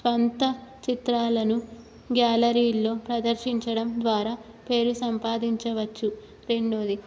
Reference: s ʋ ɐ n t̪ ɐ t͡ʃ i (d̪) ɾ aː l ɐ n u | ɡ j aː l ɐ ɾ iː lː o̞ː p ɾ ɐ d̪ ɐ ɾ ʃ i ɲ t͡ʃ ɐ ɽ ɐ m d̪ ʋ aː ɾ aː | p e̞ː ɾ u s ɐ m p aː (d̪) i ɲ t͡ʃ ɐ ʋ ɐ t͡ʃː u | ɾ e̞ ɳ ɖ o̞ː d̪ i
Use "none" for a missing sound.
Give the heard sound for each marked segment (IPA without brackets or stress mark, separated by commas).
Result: t̪, d̪